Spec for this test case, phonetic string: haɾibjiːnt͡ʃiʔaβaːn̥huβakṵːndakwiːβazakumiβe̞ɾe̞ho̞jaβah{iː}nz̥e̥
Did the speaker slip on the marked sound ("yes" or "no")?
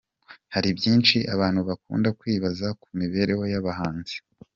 yes